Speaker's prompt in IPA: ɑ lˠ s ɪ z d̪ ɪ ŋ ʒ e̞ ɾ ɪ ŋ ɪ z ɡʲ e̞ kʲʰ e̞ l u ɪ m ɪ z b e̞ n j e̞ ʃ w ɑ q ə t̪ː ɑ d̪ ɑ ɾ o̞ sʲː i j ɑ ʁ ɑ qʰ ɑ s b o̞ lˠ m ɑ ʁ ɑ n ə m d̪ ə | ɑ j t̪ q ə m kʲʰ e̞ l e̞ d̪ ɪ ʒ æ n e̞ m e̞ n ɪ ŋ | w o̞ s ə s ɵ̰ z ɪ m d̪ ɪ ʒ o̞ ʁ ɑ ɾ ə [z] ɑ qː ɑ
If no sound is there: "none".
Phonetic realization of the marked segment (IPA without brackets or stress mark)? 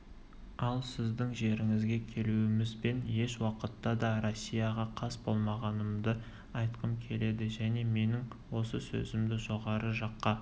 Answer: ʒ